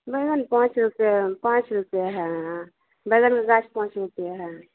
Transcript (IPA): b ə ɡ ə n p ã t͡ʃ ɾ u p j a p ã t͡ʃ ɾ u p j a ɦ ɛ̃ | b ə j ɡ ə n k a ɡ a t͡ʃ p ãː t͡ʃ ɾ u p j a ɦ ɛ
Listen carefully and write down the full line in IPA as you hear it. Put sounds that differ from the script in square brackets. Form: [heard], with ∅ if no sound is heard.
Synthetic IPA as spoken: b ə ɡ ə n p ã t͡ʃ ɾ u p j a p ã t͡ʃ ɾ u p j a ɦ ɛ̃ | b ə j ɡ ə n k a ɡ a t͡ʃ p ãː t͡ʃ ɾ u p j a ɦ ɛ

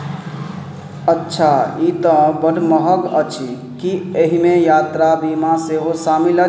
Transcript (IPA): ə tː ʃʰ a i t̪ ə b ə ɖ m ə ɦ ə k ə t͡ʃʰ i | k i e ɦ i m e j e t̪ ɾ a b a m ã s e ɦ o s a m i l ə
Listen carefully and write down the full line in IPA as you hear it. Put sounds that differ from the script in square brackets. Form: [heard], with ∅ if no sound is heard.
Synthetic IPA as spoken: ə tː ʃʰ a i t̪ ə b ə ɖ m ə ɦ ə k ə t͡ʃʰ i | k i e ɦ i m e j [a] t̪ ɾ a b [i] m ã s e ɦ o s a m i l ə

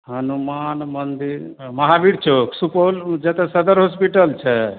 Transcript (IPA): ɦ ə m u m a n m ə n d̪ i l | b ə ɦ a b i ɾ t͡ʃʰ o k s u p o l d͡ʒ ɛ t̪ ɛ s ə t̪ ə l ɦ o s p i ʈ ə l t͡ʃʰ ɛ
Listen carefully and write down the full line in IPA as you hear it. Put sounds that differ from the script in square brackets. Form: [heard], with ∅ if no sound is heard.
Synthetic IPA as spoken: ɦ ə [n] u m a n m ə n d̪ i [ɾ] | [m] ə ɦ a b i ɾ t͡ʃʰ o k s u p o l d͡ʒ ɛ t̪ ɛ s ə [d̪] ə [ɾ] ɦ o s p i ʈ ə l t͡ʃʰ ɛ

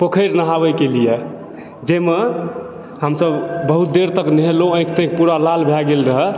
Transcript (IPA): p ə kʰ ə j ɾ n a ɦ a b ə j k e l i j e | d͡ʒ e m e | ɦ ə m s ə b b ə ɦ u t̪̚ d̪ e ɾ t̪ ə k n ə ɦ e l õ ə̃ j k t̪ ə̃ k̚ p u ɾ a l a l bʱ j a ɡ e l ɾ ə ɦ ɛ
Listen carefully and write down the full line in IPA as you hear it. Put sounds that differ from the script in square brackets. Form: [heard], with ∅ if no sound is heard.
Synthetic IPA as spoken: p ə kʰ ə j ɾ n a ɦ a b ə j k e l i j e | d͡ʒ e m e | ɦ ə m s ə b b ə ɦ u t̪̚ d̪ e ɾ t̪ ə k n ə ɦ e l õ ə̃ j k t̪ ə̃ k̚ p u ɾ a l a l bʱ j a ɡ e l ɾ ə ɦ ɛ

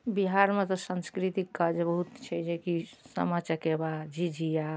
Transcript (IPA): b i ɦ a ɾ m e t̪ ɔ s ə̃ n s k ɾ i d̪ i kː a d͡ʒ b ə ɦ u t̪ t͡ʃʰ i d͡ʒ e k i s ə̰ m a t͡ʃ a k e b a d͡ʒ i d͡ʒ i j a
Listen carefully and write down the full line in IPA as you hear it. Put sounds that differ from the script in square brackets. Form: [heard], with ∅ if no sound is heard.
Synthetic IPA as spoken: b i ɦ a ɾ m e t̪ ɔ s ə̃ n s k ɾ i [t̪] i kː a d͡ʒ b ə ɦ u t̪ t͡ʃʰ [ɛ] d͡ʒ e k i s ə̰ m a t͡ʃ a k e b a d͡ʒ i d͡ʒ i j a

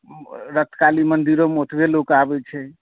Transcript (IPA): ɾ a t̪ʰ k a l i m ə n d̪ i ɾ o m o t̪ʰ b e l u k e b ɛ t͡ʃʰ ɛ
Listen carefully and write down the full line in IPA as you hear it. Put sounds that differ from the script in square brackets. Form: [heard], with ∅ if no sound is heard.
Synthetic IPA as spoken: ɾ [ə] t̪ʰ k a l i m ə n d̪ i ɾ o m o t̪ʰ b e l [o] k [a] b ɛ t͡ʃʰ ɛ

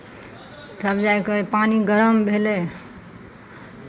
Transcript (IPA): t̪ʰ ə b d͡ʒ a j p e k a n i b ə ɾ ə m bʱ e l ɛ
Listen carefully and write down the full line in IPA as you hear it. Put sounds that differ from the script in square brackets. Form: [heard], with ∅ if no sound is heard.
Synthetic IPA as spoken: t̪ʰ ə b d͡ʒ a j [k] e [p] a n i [ɡ] ə ɾ ə m bʱ e l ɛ

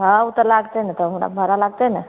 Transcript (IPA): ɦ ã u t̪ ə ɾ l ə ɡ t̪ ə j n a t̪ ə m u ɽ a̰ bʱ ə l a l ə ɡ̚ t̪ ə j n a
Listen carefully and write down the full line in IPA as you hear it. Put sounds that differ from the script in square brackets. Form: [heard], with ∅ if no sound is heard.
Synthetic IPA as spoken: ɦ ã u t̪ ə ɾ l [a] ɡ t̪ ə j n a t̪ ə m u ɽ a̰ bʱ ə [ɾ] a l [a] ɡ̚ t̪ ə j n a

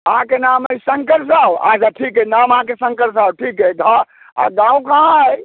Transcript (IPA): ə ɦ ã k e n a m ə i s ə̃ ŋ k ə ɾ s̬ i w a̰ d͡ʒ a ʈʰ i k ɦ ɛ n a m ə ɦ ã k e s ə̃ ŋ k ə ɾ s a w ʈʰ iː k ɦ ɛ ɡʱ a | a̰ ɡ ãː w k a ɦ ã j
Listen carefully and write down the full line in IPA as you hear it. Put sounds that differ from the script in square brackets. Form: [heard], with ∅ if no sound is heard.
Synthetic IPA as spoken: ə ɦ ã k e n a m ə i s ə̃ ŋ k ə ɾ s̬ [a] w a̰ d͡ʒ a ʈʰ i k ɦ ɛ n a m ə ɦ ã k e s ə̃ ŋ k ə ɾ s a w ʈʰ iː k ɦ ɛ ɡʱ a | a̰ ɡ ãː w k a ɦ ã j

